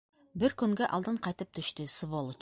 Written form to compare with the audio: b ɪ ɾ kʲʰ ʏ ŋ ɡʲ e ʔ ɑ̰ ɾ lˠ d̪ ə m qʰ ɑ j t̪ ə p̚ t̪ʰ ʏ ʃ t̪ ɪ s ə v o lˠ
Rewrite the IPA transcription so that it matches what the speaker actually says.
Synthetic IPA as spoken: b ɪ ɾ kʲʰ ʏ ŋ ɡʲ e ʔ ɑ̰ lˠ d̪ ə ɴ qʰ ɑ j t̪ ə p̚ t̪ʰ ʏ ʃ t̪ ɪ s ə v o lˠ